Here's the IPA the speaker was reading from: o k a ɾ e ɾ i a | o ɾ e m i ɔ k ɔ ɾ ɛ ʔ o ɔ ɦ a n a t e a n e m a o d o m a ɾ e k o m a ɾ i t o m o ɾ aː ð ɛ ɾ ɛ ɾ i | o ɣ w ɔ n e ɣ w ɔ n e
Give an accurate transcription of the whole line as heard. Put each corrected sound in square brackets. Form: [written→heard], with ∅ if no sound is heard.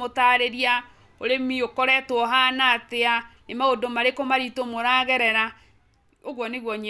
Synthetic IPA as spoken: o [k→t] a ɾ e ɾ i a | o ɾ e m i [ɔ→o] k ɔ ɾ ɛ [ʔ→t] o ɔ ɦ a n a t e a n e m a o d o m a ɾ e k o m a ɾ i t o m o ɾ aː [ð→ɣ] ɛ ɾ ɛ ɾ [i→a] | o ɣ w ɔ n e ɣ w ɔ [n→ɲ] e